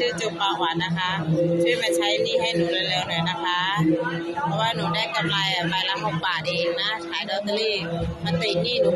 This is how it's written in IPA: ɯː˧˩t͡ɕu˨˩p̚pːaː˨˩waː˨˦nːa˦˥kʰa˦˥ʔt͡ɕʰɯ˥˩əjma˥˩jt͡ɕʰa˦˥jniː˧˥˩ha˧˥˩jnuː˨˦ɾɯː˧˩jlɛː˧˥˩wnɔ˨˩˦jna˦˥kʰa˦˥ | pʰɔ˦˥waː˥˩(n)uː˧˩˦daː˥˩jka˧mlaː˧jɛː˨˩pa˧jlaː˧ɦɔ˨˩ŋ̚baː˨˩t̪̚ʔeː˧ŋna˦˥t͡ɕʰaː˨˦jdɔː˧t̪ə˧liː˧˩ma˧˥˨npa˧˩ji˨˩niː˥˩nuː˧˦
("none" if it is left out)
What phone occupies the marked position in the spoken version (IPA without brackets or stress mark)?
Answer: n